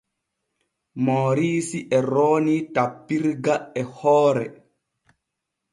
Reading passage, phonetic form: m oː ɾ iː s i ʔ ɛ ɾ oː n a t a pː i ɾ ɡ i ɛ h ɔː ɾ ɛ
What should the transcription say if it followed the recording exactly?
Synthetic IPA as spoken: m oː ɾ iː s i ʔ ɛ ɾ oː n i t a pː i ɾ ɡ a ɛ h ɔː ɾ ɛ